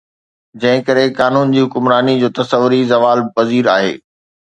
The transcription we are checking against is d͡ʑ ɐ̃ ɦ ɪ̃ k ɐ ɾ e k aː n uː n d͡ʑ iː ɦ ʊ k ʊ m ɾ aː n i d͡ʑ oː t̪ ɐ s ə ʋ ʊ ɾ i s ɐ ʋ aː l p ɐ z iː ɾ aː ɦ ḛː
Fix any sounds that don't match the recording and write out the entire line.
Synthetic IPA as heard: d͡ʑ ɐ̃ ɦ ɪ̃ k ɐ ɾ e k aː n uː n d͡ʑ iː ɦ ʊ k ʊ m ɾ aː n i d͡ʑ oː t̪ ɐ s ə ʋ ʊ ɾ i z ɐ ʋ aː l p ɐ z iː ɾ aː ɦ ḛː